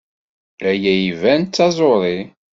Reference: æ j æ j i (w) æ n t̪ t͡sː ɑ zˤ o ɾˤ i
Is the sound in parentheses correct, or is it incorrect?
incorrect